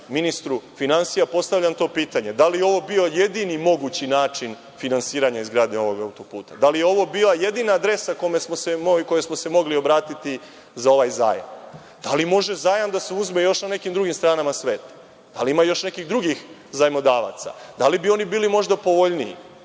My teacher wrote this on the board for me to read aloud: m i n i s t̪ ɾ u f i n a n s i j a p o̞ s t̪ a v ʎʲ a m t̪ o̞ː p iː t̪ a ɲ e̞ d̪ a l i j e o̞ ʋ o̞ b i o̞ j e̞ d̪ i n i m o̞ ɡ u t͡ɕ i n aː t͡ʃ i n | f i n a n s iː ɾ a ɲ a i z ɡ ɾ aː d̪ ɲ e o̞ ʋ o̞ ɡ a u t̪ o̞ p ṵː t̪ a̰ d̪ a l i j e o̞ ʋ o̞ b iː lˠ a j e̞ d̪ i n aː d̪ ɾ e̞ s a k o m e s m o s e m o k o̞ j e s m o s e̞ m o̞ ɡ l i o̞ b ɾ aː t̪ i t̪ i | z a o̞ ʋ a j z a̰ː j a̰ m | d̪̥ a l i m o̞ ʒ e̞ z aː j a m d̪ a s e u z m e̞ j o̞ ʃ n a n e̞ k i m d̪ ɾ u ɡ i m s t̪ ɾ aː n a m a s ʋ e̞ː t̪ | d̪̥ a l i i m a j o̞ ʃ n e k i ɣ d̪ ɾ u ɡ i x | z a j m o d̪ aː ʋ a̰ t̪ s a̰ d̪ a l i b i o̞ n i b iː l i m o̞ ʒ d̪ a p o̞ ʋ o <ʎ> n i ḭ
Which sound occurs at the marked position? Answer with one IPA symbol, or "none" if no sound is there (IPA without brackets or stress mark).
ʎ